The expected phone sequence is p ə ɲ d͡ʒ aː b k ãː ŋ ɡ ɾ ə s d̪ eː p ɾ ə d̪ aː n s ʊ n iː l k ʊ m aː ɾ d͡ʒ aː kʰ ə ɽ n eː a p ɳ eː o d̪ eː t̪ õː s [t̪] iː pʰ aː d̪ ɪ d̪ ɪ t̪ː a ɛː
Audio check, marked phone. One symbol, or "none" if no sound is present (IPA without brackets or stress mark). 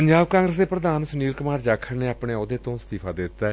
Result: t̪